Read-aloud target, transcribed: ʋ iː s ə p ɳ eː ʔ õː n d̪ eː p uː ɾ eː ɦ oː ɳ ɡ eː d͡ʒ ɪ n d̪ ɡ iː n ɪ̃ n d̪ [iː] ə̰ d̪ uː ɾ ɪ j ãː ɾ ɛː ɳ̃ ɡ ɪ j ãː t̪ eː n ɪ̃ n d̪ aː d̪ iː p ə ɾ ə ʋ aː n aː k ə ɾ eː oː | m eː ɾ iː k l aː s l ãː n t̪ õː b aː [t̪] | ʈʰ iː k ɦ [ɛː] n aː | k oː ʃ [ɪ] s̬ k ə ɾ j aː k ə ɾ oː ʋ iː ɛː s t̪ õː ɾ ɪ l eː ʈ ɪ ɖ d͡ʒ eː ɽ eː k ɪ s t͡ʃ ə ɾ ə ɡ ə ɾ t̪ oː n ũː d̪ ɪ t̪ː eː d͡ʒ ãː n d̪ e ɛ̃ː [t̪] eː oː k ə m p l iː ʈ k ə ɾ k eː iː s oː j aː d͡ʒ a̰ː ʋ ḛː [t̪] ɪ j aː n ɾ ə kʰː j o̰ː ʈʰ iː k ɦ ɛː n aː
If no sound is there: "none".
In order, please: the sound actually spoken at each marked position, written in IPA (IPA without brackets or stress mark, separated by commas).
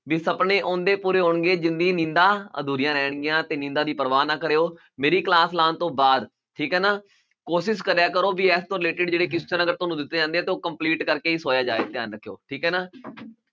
aː, d̪, ɛː, ɪ, t̪, t̪